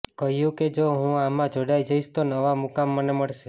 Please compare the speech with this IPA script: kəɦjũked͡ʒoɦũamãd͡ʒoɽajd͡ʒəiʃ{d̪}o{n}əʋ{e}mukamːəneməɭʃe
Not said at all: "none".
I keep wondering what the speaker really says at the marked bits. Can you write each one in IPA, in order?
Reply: t̪, n, a

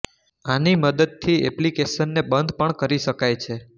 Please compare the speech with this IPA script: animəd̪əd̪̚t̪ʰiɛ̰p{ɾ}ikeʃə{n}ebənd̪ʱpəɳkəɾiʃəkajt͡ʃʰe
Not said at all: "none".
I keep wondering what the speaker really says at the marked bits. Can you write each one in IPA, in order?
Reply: l, nː

